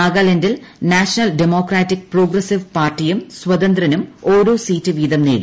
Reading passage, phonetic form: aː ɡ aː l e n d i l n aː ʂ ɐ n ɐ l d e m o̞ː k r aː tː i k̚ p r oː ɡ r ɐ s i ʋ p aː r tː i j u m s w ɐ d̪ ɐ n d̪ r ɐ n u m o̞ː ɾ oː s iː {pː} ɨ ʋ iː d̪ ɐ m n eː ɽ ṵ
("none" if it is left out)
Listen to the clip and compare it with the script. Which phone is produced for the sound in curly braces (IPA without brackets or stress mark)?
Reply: tː